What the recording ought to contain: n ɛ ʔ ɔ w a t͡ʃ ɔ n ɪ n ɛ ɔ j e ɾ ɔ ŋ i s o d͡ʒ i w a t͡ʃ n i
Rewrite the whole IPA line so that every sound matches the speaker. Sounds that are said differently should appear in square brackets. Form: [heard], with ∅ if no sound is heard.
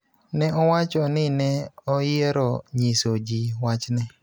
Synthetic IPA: n ɛ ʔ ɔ w a t͡ʃ ɔ n ɪ n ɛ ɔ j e ɾ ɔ [ɲ] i s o d͡ʒ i w a t͡ʃ n [ɛ]